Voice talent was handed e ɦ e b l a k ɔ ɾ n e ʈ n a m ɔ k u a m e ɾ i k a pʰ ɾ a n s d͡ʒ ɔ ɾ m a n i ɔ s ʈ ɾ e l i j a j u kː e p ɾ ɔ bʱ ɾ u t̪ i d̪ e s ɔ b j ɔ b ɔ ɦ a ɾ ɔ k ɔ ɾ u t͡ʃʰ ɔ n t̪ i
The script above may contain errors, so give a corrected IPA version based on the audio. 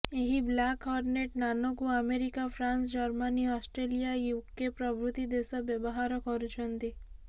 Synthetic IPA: e ɦ i b l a k ɔ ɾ n e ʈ n a n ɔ k u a m e ɾ i k a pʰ ɾ a n s d͡ʒ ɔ ɾ m a n i ɔ s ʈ ɾ e l i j a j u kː e p ɾ ɔ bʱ ɾ u t̪ i d̪ e s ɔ b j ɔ b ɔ ɦ a ɾ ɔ k ɔ ɾ u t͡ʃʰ ɔ n t̪ i